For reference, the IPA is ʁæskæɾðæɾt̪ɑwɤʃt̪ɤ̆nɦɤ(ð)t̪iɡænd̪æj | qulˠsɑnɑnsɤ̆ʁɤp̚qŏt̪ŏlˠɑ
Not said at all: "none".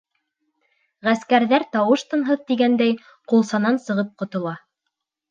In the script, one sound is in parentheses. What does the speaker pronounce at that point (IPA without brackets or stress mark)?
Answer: ð